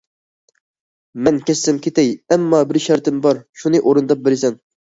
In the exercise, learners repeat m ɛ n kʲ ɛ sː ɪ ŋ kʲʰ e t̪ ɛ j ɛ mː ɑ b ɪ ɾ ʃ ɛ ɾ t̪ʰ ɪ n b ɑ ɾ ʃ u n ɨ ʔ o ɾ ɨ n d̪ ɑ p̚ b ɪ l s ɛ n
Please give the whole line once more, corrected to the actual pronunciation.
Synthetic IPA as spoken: m ɛ n kʲ ɛ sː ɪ m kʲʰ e t̪ ɛ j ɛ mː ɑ b ɪ ɾ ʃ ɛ ɾ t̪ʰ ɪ m b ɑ ɾ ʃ u n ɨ ʔ o ɾ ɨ n d̪ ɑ p̚ b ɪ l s ɛ n